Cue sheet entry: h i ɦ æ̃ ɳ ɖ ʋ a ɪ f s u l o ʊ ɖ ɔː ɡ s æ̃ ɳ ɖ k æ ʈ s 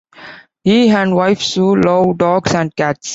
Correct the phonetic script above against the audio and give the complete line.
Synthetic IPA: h i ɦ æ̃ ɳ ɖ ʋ a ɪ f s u l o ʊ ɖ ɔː ɡ s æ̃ ɳ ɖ k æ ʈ s